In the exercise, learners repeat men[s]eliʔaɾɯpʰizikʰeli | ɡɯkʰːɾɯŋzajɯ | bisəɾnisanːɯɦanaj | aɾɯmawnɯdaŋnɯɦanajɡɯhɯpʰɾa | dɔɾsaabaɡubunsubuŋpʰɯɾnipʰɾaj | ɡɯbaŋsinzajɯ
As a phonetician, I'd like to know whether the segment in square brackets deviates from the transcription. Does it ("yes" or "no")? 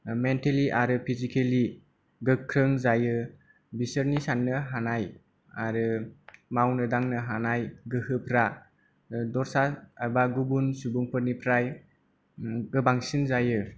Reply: yes